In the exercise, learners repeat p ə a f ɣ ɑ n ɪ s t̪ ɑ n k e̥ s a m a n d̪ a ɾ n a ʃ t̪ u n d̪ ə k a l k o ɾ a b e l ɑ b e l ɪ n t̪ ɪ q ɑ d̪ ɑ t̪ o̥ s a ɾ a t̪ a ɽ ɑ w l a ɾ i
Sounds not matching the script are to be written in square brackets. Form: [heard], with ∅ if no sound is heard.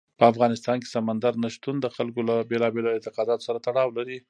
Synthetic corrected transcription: p ə a f ɣ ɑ n ɪ s t̪ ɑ n k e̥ s a m a n d̪ a ɾ n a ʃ t̪ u n d̪ ə [x] a l k o [l] a b e l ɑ b e l ɪ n t̪ ɪ q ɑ d̪ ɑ t̪ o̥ s a ɾ a t̪ a ɽ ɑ w l a ɾ i